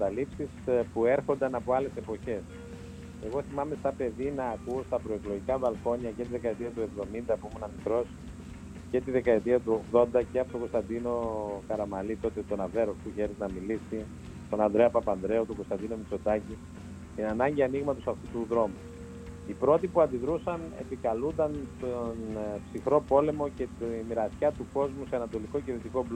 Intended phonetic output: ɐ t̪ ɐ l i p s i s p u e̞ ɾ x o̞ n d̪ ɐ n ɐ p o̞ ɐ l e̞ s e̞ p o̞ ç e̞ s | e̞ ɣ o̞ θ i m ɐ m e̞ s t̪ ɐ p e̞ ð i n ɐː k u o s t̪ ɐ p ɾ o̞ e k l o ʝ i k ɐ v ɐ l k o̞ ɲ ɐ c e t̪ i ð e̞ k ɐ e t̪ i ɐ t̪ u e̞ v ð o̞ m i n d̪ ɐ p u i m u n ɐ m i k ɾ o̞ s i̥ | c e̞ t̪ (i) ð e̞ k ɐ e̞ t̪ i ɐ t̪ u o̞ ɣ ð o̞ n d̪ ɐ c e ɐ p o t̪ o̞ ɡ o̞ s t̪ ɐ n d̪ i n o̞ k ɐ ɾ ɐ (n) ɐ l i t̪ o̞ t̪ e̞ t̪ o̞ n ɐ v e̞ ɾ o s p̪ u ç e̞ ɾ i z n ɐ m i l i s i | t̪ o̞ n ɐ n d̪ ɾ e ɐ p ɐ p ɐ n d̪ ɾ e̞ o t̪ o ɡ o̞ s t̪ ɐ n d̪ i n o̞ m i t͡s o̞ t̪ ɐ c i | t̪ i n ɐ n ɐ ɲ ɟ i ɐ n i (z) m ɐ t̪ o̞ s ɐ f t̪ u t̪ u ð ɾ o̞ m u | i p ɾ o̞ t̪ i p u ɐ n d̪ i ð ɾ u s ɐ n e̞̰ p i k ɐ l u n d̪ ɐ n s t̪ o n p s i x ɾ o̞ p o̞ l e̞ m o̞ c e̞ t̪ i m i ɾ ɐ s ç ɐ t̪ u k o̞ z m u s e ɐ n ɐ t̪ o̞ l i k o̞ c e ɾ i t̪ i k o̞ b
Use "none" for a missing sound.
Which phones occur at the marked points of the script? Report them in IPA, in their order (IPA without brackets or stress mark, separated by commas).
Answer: i, m, ɣ